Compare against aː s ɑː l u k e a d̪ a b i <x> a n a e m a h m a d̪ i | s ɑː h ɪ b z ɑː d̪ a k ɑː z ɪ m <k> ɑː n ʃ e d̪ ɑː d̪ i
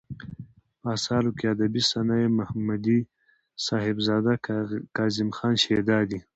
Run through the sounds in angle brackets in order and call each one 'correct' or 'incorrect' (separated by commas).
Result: incorrect, incorrect